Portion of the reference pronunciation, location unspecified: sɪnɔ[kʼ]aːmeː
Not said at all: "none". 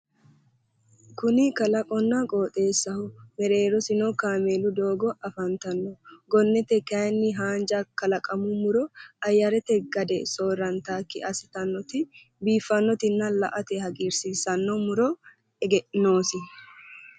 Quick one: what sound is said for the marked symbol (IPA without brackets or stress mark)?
k